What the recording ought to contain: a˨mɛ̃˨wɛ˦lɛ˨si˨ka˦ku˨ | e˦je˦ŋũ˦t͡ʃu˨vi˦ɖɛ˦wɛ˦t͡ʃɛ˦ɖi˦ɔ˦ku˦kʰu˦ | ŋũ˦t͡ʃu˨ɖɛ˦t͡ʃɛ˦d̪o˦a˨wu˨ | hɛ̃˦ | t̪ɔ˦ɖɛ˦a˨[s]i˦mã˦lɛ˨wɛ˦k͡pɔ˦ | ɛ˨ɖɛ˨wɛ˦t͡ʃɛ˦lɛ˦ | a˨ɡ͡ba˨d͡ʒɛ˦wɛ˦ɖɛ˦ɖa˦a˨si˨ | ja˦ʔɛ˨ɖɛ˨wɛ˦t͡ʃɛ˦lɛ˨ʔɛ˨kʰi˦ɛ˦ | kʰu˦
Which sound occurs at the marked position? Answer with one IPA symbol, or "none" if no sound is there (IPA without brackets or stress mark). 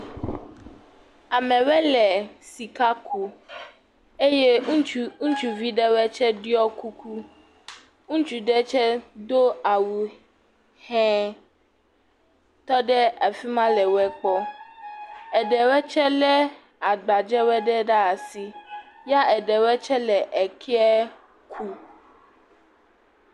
f